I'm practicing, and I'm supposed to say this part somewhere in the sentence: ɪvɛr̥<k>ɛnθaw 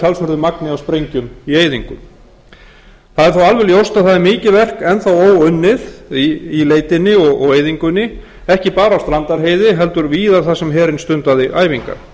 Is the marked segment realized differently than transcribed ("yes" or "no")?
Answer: no